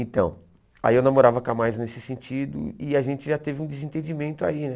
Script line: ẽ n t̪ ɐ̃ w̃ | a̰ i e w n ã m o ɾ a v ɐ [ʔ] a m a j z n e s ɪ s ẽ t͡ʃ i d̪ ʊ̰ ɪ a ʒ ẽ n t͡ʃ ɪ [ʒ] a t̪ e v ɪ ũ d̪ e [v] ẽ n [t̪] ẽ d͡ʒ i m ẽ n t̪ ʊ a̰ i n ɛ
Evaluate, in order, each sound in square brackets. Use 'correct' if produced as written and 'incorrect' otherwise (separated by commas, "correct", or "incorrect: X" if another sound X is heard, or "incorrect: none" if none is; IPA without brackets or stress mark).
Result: incorrect: k, correct, incorrect: z, correct